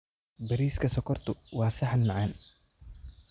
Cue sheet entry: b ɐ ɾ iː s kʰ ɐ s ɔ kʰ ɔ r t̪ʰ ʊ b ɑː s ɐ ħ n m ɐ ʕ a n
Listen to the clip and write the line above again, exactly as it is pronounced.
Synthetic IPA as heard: b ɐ ɾ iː s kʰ ɐ s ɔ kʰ ɔ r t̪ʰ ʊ w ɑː s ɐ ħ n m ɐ ʕ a n